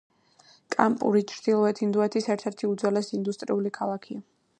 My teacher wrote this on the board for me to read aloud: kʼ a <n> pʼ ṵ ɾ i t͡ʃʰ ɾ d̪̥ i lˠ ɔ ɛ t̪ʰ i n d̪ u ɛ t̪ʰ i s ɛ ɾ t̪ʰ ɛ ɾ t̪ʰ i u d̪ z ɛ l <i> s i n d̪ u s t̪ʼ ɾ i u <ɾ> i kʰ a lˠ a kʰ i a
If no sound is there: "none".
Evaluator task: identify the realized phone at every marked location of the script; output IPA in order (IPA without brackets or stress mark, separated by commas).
m, ɛ, l